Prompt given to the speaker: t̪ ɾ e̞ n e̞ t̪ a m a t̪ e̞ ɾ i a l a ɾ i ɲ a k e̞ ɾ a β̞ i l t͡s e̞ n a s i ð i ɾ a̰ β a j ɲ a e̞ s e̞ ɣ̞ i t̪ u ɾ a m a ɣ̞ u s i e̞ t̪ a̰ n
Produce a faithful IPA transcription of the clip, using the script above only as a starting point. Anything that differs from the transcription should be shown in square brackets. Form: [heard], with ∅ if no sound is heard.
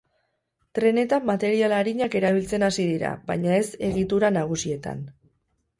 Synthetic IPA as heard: t̪ ɾ e̞ n e̞ t̪ a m a t̪ e̞ ɾ i a l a ɾ i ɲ a k e̞ ɾ a β̞ i l t͡s e̞ n a s i ð i ɾ a̰ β a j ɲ a e̞ s e̞ ɣ̞ i t̪ u ɾ a [n] a ɣ̞ u s i e̞ t̪ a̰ n